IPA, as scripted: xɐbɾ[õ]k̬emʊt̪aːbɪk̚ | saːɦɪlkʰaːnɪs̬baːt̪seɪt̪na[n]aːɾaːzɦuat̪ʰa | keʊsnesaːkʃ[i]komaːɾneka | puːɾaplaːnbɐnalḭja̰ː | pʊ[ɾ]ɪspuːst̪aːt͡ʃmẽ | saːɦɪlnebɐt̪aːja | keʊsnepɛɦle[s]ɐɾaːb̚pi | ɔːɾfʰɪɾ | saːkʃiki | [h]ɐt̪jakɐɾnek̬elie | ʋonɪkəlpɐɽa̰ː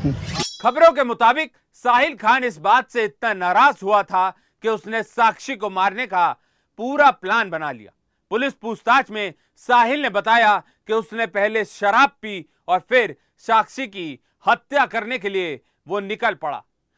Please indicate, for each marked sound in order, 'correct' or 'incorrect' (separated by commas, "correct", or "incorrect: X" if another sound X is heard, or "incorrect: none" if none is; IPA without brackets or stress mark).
correct, correct, correct, incorrect: l, incorrect: ʃ, correct